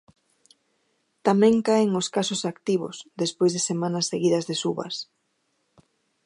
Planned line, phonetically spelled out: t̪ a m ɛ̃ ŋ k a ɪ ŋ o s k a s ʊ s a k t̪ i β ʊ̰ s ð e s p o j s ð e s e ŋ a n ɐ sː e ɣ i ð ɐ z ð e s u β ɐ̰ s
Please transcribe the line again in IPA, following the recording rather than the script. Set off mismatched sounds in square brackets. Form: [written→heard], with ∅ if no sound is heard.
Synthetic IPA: t̪ a m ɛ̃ ŋ k a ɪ ŋ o s k a s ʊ s a k t̪ i β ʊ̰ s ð e s p o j [s→z] ð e s e [ŋ→m] a n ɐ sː e ɣ i ð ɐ z ð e s u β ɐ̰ s